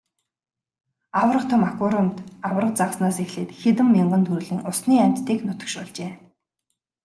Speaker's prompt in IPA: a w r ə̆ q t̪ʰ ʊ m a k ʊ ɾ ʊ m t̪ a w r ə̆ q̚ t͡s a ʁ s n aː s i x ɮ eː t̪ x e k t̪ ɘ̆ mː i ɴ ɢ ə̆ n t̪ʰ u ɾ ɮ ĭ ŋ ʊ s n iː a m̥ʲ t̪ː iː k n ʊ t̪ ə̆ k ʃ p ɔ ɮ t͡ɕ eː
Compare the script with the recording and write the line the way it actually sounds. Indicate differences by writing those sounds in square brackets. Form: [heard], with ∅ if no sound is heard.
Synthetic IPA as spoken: a w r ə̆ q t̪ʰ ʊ m a k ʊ ɾ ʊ m t̪ a w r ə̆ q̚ t͡s a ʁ s n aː s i x ɮ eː t̪ x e [∅] t̪ ɘ̆ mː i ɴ ɢ ə̆ n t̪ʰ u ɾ ɮ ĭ ŋ ʊ s n iː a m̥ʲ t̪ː iː k n ʊ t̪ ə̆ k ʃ p ɔ ɮ t͡ɕ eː

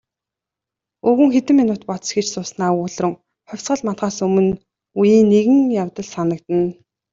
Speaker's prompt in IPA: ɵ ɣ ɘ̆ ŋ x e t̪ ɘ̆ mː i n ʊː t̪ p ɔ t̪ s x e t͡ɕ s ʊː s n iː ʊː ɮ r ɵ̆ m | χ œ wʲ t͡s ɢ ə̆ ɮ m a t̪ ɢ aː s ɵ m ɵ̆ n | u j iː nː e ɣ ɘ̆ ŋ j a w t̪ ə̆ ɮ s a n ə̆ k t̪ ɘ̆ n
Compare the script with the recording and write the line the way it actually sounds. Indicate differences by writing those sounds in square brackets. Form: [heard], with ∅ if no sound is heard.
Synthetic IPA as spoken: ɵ ɣ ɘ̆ ŋ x e t̪ ɘ̆ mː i n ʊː t̪ p ɔ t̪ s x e t͡ɕ s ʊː s n [aː] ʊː ɮ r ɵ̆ [ŋ] | χ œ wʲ t͡s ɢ ə̆ ɮ m a t̪ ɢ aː s ɵ m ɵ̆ n | u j iː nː e ɣ ɘ̆ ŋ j a w t̪ ə̆ ɮ s a n ə̆ k t̪ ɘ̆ n

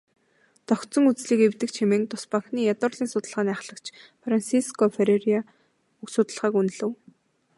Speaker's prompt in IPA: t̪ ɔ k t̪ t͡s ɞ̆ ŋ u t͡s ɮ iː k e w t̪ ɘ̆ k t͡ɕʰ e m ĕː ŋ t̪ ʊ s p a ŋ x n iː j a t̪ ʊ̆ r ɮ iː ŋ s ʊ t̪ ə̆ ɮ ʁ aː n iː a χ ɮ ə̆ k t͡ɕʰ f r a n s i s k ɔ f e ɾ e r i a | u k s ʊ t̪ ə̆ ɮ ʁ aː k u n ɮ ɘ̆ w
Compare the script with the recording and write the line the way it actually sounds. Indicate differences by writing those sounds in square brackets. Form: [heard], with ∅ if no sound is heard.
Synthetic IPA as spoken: t̪ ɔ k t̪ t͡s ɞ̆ ŋ u t͡s ɮ iː k e w t̪ ɘ̆ k t͡ɕʰ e m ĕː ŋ t̪ ʊ s p a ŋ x n iː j a t̪ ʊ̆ r ɮ iː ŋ s ʊ t̪ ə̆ ɮ ʁ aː n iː a χ ɮ ə̆ k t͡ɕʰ f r a n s i s k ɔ f e ɾ e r i a | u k s ʊ t̪ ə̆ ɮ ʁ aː k u n ɮ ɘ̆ w

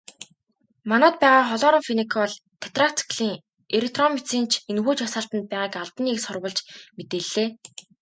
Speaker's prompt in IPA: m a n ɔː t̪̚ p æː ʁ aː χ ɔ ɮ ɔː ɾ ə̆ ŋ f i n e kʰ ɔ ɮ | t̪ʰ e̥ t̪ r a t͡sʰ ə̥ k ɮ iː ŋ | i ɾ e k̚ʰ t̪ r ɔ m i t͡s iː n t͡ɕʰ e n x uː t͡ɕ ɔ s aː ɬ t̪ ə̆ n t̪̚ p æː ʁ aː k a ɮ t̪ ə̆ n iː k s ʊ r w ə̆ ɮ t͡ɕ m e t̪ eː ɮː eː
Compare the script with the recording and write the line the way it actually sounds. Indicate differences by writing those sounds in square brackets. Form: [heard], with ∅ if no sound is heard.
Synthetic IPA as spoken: m a n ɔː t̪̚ p æː ʁ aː χ ɔ ɮ ɔː ɾ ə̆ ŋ f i n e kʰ ɔ ɮ | t̪ʰ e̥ t̪ r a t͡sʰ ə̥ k ɮ iː ŋ | [e] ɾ e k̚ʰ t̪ r ɔ m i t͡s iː n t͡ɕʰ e n x uː t͡ɕ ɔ s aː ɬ t̪ ə̆ n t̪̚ p æː ʁ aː k a ɮ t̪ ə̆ n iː k s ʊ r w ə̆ ɮ t͡ɕ m e t̪ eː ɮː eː

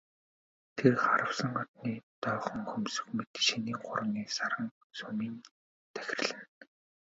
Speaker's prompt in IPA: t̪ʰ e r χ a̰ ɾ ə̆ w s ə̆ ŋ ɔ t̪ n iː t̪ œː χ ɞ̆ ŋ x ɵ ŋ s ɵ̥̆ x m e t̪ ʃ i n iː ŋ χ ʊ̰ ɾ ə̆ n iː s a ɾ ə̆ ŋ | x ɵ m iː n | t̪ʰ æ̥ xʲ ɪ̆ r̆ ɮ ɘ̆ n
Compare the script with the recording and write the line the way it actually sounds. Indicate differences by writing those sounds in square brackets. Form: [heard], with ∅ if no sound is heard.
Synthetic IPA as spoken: t̪ʰ e r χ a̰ ɾ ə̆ w s ə̆ ŋ ɔ t̪ n iː t̪ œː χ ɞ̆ ŋ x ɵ [m] s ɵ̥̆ x m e t̪ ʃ i n iː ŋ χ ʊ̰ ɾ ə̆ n iː s a ɾ ə̆ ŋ | [s] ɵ m iː n | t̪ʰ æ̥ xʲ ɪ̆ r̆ ɮ ɘ̆ n

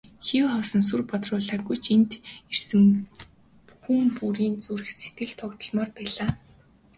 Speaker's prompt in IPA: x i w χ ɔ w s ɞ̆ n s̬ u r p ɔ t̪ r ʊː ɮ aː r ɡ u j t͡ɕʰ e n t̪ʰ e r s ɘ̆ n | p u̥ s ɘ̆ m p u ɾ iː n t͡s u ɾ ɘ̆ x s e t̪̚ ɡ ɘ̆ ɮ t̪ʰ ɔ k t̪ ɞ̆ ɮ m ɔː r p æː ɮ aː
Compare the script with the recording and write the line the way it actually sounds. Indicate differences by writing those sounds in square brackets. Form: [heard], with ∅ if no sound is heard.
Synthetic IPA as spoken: x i w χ ɔ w s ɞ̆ n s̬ u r p ɔ t̪ r ʊː ɮ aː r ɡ u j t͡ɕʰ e n [t̪] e r s ɘ̆ [m] | p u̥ [x] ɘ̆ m p u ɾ iː n t͡s u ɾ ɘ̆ x s e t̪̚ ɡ ɘ̆ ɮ t̪ʰ ɔ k t̪ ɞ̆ ɮ m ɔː r p æː ɮ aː

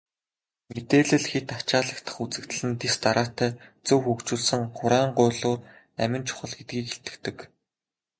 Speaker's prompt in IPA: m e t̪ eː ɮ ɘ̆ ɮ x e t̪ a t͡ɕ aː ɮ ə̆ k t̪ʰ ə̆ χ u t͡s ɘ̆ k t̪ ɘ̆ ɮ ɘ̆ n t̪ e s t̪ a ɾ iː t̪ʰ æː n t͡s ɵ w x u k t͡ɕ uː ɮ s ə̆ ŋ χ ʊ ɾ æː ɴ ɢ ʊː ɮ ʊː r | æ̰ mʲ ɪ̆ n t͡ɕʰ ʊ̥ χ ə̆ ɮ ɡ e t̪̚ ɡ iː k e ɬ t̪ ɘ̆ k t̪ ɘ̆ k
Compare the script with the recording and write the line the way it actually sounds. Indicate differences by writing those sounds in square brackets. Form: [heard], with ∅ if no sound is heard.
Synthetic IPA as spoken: m e t̪ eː ɮ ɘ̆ ɮ x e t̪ a t͡ɕ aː ɮ ə̆ k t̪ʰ ə̆ χ u t͡s ɘ̆ k t̪ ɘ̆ ɮ ɘ̆ n t̪ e s t̪ a ɾ [aː] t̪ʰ æː [∅] t͡s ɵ w x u k t͡ɕ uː ɮ s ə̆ ŋ χ ʊ ɾ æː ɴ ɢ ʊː ɮ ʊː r | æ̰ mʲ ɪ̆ n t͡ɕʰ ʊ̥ χ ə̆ ɮ ɡ e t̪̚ ɡ iː k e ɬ t̪ ɘ̆ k t̪ ɘ̆ k

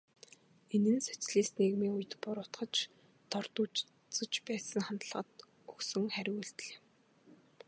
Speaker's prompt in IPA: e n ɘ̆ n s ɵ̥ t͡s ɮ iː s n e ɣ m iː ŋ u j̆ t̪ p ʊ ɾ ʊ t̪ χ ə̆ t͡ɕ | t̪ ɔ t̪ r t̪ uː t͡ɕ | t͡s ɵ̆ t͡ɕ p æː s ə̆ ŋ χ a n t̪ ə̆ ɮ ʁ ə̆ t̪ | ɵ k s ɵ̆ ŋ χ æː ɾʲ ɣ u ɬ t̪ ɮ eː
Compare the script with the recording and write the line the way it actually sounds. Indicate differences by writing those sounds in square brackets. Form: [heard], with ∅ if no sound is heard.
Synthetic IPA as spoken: e n ɘ̆ n s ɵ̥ t͡s ɮ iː s n e ɣ m iː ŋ u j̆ t̪ p ʊ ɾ ʊ t̪ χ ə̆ t͡ɕ | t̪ ɔ [∅] r t̪ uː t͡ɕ | t͡s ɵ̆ t͡ɕ p æː s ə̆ ŋ χ a n t̪ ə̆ ɮ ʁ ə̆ t̪ | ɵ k s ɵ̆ ŋ χ [æ] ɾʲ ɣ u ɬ t̪ ɮ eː

